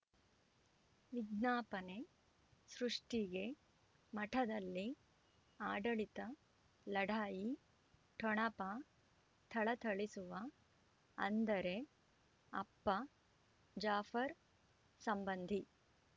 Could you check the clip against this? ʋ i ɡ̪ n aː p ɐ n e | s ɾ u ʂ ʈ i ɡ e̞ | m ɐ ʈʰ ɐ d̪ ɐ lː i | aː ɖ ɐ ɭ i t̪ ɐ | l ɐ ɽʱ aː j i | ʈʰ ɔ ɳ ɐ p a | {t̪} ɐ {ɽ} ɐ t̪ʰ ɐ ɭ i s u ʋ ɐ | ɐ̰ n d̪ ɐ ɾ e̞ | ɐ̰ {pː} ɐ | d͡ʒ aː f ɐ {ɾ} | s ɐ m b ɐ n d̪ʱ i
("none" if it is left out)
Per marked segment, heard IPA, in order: t̪ʰ, ɭ, pː, ɾ

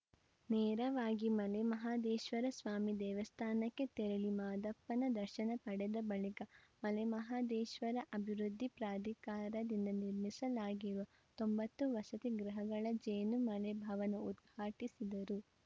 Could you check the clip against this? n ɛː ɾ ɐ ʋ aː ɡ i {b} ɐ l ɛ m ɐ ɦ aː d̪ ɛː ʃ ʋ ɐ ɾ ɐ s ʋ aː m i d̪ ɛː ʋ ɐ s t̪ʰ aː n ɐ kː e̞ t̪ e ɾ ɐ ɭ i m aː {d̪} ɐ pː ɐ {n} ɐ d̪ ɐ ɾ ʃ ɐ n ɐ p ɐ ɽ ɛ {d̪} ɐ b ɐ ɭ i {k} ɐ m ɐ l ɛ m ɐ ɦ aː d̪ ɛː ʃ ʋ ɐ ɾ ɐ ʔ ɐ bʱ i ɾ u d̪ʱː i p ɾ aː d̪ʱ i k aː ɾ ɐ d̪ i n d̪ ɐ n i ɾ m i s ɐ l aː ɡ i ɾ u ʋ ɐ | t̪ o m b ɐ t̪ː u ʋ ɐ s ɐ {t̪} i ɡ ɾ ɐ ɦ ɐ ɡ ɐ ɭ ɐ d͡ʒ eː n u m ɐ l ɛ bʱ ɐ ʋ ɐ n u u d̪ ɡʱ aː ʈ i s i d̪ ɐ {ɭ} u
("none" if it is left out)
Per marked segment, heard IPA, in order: m, d̪, n, d̪, k, t̪, ɾ

